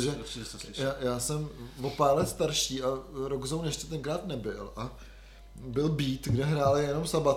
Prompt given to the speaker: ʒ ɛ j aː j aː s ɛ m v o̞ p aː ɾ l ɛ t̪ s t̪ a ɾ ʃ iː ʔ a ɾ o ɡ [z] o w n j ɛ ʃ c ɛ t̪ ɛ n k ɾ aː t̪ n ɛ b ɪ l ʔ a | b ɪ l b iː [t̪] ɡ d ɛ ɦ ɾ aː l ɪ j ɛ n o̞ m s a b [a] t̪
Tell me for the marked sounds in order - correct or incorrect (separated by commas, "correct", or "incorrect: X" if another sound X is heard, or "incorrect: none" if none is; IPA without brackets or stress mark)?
correct, correct, correct